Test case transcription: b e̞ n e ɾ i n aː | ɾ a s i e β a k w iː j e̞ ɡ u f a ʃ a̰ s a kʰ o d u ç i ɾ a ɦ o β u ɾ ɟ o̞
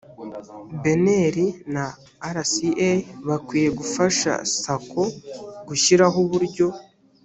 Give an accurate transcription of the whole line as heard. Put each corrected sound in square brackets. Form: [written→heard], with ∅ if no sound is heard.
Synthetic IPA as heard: b e̞ n e ɾ i n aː | ɾ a s i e β a k w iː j e̞ ɡ u f a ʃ a̰ s a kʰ o [d→ɡ] u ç i ɾ a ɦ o β u ɾ ɟ o̞